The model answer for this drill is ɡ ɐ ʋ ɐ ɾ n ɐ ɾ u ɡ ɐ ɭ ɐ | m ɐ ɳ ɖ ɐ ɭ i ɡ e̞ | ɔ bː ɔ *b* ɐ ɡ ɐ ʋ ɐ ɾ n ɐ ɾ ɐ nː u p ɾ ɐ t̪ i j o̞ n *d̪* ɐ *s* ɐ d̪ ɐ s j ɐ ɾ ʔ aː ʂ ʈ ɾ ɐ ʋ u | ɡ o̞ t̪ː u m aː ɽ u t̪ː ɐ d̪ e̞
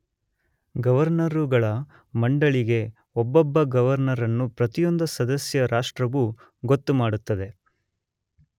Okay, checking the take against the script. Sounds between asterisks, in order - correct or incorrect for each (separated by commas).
incorrect, correct, correct